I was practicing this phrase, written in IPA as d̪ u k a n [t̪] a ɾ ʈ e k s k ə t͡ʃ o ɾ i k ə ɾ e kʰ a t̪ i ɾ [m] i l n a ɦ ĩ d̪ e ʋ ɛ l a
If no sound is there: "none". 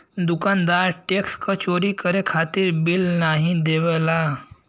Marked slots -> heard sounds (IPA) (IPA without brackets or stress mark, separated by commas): d̪, b